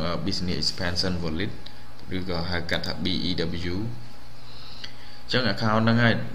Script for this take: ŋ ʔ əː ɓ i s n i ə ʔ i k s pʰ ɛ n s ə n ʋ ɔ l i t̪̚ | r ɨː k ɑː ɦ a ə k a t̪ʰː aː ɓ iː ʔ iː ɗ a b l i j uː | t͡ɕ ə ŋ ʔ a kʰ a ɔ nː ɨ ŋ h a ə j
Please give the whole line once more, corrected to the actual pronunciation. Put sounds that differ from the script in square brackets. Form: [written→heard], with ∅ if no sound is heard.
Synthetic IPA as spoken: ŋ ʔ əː ɓ i s n i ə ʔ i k s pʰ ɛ n s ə n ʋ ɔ l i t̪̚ | r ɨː k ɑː ɦ a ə k a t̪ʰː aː ɓ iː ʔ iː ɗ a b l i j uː | t͡ɕ ə ŋ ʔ a kʰ a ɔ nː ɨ ŋ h a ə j